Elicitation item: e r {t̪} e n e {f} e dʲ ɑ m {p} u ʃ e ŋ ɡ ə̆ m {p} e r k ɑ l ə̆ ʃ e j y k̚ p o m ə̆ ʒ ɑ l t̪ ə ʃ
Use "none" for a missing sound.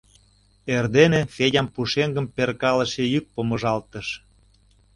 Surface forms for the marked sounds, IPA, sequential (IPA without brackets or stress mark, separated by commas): d̪, f, p, p